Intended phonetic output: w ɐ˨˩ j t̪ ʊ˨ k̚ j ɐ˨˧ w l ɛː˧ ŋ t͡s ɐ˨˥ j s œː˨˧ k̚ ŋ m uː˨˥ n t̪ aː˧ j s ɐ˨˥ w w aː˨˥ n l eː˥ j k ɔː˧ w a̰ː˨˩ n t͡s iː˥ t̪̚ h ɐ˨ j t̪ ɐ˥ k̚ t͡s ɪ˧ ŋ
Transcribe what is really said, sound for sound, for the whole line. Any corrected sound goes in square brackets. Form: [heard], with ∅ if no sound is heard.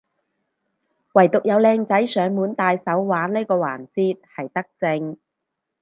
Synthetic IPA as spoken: w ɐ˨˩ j t̪ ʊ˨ k̚ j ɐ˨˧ w l ɛː˧ ŋ t͡s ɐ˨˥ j s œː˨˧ [∅] ŋ m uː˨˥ n t̪ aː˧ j s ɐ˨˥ w w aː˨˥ n l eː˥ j k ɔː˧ w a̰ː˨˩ n t͡s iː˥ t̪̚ h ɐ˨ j t̪ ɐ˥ k̚ t͡s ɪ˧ ŋ